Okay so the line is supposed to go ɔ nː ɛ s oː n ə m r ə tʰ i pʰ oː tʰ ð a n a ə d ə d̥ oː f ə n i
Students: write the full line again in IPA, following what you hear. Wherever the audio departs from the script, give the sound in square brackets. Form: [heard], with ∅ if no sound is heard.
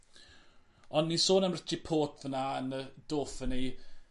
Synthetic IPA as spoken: ɔ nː [i] s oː n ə m r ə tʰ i pʰ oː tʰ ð [ə] n a ə [n] ə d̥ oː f ə n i